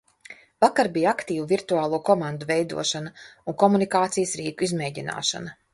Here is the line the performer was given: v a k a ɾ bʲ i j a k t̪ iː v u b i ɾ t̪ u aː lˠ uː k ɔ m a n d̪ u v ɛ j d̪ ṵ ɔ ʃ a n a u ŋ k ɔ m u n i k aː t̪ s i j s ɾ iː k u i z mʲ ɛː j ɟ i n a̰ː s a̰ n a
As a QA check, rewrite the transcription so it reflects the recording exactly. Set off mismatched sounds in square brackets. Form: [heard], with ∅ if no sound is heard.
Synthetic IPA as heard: v a k a ɾ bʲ i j a k t̪ iː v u [v] i ɾ t̪ u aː lˠ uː k ɔ m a n d̪ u v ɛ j d̪ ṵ ɔ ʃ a n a u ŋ k ɔ m u n i k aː t̪ s i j s ɾ iː k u i z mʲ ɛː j ɟ i n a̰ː [ʃ] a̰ n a

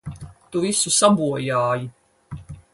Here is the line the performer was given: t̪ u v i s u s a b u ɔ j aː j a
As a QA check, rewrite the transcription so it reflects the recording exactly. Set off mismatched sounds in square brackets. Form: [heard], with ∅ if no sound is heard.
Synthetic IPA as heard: t̪ u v i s u s a b u ɔ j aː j [i]

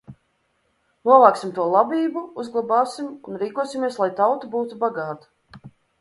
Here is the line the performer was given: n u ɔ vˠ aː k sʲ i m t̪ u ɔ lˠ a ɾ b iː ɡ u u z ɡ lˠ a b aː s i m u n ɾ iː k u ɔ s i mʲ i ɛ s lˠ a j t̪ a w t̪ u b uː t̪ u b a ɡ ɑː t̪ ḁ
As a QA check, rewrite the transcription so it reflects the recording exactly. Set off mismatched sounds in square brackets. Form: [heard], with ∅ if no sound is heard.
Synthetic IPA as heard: n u ɔ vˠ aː k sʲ i m t̪ u ɔ lˠ a [∅] b iː [b] u u z ɡ lˠ a b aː s i m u n ɾ iː k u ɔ s i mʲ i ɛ s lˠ a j t̪ a w t̪ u b uː t̪ u b a ɡ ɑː t̪ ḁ

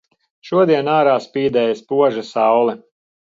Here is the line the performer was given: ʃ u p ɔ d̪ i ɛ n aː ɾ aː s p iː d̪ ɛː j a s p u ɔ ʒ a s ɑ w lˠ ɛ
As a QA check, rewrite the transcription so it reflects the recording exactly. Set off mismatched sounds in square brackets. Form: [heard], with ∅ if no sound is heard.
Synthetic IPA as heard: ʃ u [∅] ɔ d̪ i ɛ n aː ɾ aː s p iː d̪ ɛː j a s p u ɔ ʒ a s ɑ w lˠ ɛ

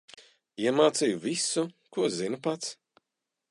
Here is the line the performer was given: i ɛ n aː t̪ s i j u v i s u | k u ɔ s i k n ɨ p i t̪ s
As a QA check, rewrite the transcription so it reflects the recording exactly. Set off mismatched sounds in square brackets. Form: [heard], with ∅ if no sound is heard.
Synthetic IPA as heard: i ɛ [m] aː t̪ s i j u v i s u | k u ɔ [z] i [∅] n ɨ p [a] t̪ s

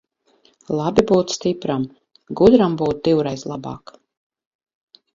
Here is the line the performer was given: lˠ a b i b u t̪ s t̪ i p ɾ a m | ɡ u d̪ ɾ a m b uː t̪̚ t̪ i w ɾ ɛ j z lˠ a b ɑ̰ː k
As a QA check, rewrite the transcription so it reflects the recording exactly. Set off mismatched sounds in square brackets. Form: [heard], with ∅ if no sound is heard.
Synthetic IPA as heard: lˠ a b i b [uː] t̪ s t̪ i p ɾ a m | ɡ u d̪ ɾ a m b uː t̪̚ [d̪] i w ɾ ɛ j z lˠ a b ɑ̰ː k

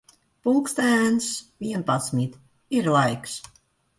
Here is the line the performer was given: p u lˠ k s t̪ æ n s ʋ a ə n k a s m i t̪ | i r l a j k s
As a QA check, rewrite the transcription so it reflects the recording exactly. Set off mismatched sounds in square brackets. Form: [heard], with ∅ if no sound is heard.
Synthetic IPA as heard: p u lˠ k s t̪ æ n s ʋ [i] ə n [p] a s m i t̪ | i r l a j k s

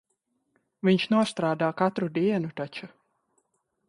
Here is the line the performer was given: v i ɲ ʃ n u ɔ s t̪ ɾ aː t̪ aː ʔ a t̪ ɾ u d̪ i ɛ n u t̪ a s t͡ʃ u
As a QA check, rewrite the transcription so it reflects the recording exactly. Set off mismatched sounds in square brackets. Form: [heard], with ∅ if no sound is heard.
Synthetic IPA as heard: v i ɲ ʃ n u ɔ s t̪ ɾ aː [d̪] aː [k] a t̪ ɾ u d̪ i ɛ n u t̪ a [∅] t͡ʃ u

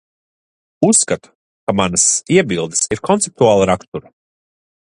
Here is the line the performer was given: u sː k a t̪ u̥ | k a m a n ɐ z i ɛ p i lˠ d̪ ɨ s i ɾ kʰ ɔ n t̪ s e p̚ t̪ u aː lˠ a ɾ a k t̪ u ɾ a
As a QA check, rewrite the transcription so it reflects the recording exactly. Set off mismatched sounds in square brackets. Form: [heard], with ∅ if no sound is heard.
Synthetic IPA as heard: u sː k a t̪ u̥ | k a m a n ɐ [s] i ɛ [b] i lˠ d̪ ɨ s i ɾ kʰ ɔ n t̪ s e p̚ t̪ u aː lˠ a ɾ a k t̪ u ɾ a

